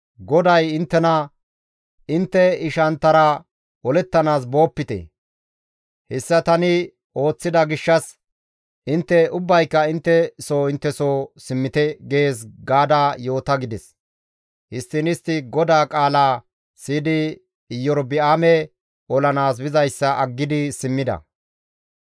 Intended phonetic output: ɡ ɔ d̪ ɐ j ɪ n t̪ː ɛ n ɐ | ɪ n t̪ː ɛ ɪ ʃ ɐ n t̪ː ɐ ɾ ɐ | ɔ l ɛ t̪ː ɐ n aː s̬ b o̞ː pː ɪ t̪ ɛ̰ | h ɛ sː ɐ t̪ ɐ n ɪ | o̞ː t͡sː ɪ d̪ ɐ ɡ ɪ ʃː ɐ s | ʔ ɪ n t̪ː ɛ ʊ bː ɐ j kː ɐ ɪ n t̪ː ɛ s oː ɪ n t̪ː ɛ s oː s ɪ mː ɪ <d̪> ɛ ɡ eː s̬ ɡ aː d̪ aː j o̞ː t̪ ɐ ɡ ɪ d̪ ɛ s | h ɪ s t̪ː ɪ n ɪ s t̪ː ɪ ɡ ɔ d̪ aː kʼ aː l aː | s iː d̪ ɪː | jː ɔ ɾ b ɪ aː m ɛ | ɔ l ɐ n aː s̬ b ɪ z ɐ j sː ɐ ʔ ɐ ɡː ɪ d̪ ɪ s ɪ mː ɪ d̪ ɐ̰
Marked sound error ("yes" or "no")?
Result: yes